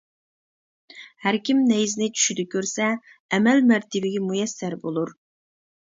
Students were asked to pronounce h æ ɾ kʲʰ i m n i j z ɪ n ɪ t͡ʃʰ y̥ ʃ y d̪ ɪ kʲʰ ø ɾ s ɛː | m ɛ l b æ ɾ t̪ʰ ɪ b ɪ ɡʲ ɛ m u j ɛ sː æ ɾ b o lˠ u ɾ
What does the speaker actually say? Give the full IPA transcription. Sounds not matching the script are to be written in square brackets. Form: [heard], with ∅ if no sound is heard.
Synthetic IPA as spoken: h æ ɾ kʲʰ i m n [ɛ] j z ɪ n ɪ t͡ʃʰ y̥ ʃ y d̪ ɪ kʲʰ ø ɾ s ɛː | m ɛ l [m] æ ɾ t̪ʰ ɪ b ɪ ɡʲ ɛ m u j ɛ sː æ ɾ b o lˠ u ɾ